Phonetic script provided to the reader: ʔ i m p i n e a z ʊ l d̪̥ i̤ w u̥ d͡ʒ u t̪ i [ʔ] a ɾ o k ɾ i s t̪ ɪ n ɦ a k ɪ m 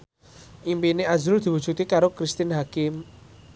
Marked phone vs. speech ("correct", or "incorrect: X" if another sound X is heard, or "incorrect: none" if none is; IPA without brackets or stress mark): incorrect: k